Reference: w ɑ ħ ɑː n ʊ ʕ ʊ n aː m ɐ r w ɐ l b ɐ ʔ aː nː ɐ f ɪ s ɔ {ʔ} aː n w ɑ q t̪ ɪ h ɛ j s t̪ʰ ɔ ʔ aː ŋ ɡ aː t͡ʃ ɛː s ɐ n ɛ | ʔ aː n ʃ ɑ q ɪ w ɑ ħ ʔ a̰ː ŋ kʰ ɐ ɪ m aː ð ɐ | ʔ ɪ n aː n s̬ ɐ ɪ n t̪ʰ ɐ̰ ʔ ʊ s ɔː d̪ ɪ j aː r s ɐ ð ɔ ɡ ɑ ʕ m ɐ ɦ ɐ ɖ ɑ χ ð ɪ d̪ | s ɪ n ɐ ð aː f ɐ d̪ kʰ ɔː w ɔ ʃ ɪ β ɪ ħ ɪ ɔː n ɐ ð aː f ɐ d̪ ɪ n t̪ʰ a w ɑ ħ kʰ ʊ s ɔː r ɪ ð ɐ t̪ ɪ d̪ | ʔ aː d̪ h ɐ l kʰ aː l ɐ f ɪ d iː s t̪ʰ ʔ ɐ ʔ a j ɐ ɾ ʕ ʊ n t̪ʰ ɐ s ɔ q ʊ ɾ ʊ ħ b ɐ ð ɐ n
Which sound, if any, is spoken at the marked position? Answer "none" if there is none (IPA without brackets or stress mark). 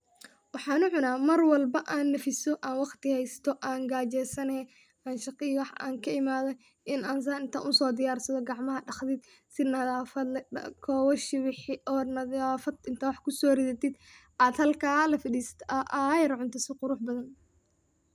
ʔ